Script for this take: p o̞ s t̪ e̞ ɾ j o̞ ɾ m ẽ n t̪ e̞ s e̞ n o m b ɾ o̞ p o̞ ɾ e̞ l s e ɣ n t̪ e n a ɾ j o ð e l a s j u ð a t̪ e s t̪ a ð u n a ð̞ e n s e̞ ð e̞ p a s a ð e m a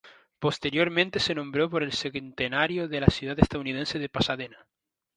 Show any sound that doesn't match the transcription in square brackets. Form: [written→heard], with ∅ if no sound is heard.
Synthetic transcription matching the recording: p o̞ s t̪ e̞ ɾ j o̞ ɾ m ẽ n t̪ e̞ s e̞ n [o→õ] m b ɾ o̞ p o̞ ɾ e̞ l s e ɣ n t̪ e n a ɾ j o ð e l a s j u ð a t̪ e s t̪ a ð u n [a→i] ð̞ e n s e̞ ð e̞ p a s a ð e [m→n] a